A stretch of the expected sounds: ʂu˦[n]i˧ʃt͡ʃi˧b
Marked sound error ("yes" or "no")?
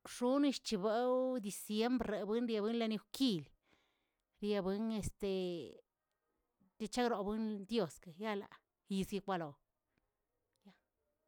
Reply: no